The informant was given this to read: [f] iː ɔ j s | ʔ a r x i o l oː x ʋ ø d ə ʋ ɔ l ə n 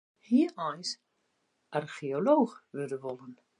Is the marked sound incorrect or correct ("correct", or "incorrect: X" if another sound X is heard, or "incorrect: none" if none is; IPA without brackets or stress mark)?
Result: incorrect: h